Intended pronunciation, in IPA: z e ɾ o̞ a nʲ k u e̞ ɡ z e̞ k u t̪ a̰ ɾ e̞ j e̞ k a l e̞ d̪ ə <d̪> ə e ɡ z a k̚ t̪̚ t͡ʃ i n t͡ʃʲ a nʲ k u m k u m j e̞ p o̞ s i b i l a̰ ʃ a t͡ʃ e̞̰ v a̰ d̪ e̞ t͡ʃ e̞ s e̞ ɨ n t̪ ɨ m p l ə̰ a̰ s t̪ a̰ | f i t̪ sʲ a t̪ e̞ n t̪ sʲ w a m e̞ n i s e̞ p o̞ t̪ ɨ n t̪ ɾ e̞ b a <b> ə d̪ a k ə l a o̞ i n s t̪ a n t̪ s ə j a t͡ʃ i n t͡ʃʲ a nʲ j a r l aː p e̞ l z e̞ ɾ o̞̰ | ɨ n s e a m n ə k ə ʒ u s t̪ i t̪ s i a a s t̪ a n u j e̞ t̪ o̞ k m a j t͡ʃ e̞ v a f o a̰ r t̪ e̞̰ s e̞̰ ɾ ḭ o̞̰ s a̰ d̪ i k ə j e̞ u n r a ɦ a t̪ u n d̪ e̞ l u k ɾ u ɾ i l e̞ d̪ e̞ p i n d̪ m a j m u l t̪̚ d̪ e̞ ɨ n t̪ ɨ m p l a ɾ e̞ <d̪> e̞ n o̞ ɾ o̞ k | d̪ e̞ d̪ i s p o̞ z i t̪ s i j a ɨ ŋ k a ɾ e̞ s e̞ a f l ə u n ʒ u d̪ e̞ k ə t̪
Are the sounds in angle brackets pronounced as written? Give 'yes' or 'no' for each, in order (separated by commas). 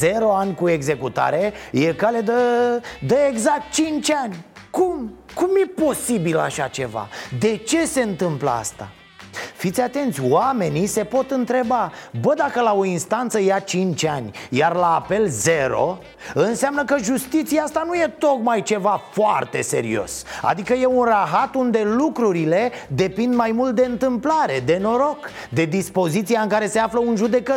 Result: yes, yes, yes